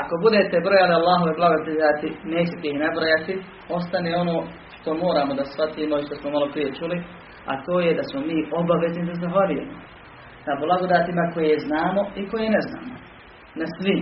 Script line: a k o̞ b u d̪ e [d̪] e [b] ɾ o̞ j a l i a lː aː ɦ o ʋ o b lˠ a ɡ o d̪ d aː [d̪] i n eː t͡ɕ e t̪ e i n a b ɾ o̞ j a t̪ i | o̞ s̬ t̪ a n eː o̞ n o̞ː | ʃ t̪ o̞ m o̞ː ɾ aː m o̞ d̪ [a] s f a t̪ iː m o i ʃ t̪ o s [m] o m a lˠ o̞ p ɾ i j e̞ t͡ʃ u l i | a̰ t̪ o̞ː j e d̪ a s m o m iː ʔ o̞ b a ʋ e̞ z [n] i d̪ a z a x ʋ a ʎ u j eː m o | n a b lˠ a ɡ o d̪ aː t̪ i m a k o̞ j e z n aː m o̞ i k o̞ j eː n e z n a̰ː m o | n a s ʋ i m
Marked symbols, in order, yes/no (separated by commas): no, yes, no, yes, yes, yes